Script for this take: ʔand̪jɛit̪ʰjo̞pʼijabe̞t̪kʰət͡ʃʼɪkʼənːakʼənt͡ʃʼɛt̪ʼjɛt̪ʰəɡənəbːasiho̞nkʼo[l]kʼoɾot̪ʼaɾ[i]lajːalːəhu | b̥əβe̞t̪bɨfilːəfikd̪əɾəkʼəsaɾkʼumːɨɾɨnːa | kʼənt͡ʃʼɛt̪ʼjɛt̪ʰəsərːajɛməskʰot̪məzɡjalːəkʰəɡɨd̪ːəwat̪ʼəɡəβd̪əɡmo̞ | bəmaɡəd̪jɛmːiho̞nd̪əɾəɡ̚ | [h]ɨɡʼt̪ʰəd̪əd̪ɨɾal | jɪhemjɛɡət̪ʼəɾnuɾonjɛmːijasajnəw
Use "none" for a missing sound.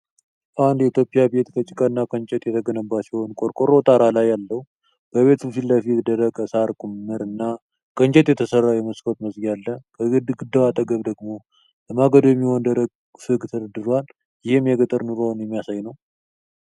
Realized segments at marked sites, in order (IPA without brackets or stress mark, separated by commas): ɾ, a, f